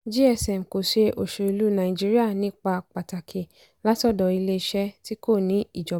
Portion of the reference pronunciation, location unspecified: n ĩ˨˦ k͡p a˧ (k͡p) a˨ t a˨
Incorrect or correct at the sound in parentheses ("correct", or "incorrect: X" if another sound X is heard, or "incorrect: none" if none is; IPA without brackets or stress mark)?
correct